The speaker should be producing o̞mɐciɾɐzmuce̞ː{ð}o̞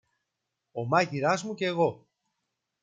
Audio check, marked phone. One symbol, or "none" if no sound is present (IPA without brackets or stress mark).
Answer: ɣ